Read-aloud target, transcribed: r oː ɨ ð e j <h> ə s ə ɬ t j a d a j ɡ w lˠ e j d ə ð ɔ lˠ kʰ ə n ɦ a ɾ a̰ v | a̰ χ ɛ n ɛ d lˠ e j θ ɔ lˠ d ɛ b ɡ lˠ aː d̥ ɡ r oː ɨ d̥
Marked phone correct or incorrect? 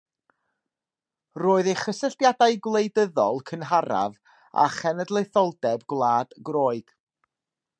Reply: incorrect: χ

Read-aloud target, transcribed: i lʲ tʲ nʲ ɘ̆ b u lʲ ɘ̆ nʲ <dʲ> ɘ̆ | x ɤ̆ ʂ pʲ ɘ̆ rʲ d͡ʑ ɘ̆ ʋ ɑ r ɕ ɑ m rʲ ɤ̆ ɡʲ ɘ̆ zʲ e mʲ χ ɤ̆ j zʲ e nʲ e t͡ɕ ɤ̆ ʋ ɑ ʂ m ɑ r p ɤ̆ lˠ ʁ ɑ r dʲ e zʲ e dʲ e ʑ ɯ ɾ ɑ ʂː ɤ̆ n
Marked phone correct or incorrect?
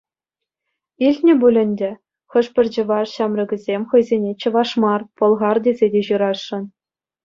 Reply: correct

